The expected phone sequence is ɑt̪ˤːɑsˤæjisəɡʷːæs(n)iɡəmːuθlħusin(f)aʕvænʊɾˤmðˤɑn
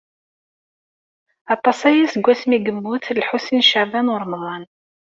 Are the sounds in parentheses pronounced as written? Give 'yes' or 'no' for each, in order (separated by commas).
no, no